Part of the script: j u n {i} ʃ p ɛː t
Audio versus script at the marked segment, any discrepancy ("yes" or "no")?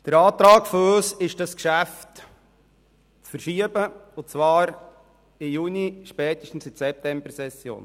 no